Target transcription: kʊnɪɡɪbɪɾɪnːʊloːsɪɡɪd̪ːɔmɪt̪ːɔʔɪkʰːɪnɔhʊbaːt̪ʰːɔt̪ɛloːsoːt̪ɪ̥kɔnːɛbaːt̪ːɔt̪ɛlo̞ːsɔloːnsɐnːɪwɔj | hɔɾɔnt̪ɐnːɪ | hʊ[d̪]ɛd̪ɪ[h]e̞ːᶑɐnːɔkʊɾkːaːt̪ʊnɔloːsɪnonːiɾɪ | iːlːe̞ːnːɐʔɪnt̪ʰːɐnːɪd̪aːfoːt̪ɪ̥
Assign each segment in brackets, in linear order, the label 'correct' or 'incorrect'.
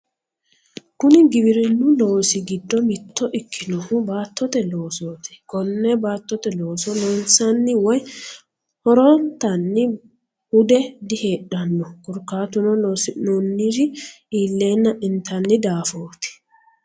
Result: correct, correct

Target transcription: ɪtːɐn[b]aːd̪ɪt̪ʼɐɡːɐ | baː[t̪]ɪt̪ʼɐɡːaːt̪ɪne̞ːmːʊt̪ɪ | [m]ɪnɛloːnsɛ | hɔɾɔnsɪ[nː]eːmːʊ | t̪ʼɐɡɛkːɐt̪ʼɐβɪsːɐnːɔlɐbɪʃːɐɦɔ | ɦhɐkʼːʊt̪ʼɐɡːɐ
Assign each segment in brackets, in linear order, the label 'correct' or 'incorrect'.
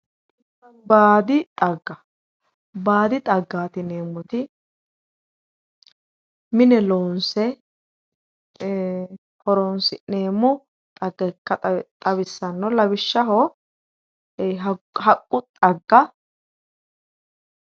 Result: correct, incorrect: d̪, correct, incorrect: n

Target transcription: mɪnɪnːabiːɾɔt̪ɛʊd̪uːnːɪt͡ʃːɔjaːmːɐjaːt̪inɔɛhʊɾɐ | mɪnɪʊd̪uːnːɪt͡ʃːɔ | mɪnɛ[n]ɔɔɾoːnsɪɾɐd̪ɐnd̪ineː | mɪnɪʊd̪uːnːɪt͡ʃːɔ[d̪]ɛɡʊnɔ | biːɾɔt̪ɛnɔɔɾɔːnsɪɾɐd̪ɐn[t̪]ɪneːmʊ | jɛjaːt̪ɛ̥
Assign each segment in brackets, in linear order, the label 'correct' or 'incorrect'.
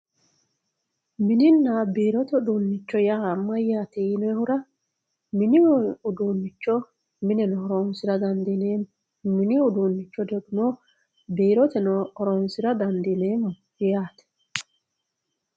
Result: correct, correct, incorrect: d̪

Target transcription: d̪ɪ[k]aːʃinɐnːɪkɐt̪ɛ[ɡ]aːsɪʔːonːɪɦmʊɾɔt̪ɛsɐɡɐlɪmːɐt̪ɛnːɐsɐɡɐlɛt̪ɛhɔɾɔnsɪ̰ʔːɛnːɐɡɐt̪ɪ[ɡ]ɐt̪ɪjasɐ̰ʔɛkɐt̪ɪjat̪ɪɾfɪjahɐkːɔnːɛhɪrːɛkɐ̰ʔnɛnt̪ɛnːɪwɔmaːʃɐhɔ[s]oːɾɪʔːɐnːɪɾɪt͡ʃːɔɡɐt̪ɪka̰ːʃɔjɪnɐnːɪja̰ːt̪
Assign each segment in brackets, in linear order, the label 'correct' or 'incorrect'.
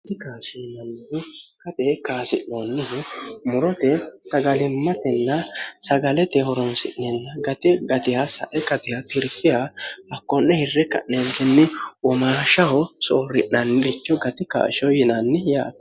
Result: correct, incorrect: k, correct, correct

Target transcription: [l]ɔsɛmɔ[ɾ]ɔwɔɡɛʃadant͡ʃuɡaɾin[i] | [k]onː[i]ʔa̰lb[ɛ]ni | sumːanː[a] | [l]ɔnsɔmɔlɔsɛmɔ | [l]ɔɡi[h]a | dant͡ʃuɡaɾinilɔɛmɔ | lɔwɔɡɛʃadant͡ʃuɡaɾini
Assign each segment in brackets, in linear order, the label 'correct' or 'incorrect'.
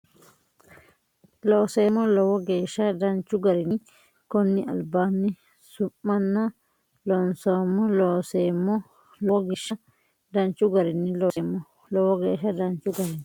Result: correct, incorrect: l, correct, correct, correct, incorrect: a, correct, correct, correct, incorrect: ʃ

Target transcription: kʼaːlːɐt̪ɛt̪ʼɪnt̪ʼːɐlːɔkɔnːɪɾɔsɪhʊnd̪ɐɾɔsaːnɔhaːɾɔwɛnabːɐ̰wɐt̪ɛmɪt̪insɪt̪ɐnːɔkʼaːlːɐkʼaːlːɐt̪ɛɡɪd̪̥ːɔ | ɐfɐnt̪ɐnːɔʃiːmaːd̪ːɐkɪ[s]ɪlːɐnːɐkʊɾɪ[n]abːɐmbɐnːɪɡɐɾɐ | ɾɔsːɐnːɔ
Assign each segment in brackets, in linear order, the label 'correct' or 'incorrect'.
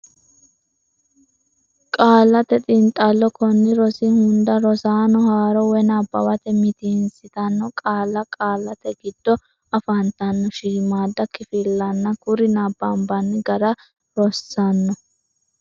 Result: incorrect: f, correct

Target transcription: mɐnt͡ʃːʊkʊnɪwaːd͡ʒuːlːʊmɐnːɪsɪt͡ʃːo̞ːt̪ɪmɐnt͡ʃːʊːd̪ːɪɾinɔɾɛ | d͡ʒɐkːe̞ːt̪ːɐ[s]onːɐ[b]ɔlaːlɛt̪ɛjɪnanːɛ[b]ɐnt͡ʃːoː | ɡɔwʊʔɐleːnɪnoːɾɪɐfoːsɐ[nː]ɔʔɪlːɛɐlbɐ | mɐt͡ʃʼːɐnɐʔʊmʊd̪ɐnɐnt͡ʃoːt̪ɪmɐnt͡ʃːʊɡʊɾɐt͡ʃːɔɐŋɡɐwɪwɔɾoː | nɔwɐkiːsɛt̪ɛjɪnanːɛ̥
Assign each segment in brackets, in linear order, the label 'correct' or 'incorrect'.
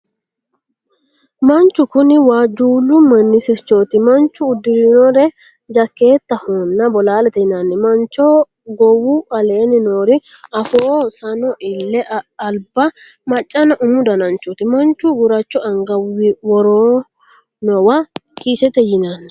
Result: incorrect: h, correct, incorrect: m, incorrect: n

